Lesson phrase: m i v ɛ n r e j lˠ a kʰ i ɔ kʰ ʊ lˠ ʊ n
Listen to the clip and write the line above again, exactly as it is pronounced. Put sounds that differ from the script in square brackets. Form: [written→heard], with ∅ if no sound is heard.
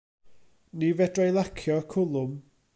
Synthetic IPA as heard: [m→n] i v ɛ [n→d] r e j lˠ a kʰ [i→j] ɔ kʰ ʊ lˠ ʊ [n→m]